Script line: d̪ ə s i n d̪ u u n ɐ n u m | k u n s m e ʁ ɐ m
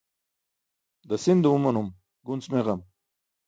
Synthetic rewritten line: d̪ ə s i n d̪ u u m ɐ n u m | ɡ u n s m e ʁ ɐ m